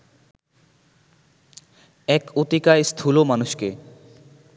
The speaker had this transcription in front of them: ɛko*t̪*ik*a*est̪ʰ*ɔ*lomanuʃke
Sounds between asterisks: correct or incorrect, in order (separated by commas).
correct, correct, incorrect